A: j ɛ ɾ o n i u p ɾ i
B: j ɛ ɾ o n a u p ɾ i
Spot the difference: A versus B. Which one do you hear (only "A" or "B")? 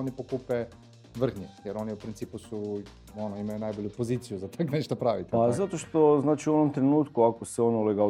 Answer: A